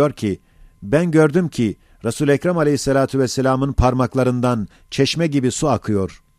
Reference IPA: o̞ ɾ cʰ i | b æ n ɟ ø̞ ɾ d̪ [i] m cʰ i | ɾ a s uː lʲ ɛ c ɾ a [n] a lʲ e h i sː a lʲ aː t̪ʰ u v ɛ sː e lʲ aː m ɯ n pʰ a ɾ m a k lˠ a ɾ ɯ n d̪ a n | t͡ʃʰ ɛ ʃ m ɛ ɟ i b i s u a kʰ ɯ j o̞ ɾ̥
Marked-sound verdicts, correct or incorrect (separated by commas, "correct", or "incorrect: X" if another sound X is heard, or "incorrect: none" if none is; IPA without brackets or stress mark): incorrect: y, incorrect: m